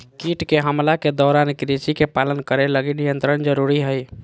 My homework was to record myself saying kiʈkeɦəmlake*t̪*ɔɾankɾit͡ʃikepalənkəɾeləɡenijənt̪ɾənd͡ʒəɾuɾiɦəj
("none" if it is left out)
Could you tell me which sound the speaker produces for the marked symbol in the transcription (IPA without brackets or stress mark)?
d̪